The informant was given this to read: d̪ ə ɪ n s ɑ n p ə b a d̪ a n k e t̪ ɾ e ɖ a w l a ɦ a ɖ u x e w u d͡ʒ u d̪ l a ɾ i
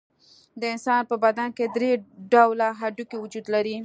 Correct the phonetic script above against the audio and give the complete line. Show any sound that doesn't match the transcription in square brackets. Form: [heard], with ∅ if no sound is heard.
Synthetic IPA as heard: d̪ ə ɪ n s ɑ n p ə b a d̪ a n k e [d̪] ɾ e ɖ a w l a ɦ a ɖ u [k] e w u d͡ʒ u d̪ l a ɾ i